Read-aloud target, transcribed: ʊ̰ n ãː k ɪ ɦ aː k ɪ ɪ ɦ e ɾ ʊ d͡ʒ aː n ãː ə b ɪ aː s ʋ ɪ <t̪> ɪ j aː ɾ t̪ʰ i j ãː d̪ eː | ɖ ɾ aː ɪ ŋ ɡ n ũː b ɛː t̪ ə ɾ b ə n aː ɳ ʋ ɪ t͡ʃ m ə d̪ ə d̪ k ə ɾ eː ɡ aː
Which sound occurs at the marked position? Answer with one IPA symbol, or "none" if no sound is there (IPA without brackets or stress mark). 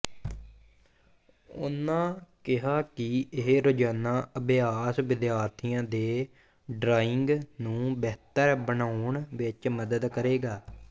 d̪